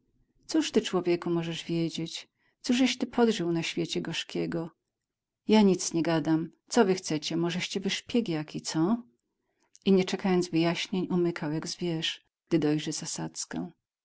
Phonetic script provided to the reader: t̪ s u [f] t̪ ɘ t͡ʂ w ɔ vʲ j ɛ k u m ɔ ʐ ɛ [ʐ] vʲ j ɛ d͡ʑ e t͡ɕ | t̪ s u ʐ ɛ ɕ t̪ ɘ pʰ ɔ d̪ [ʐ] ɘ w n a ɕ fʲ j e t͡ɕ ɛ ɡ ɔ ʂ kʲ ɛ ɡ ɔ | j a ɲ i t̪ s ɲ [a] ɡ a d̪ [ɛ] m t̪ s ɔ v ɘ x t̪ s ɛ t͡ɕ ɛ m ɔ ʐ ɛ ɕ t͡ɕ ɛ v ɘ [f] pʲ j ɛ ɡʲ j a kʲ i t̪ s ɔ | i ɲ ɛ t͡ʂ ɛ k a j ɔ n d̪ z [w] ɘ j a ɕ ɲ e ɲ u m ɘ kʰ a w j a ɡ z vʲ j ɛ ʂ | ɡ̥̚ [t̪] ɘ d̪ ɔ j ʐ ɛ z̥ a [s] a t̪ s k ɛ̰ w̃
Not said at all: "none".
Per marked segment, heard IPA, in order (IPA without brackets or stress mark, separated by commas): ʂ, ʐ, ʐ, ɛ, a, ʂ, v, d̪, s